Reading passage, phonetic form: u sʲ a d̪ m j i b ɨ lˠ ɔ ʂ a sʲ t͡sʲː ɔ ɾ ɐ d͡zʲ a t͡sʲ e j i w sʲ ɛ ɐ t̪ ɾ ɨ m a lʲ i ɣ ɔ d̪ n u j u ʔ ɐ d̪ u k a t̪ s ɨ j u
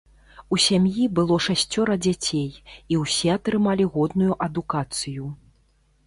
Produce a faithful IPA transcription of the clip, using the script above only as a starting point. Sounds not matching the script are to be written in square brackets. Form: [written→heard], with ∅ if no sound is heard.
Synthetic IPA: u sʲ a [d̪→∅] m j i b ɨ lˠ ɔ ʂ a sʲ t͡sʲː ɔ ɾ ɐ d͡zʲ a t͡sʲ e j i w sʲ ɛ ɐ t̪ ɾ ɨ m a lʲ i ɣ ɔ d̪ n u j u ʔ ɐ d̪ u k a t̪ s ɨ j u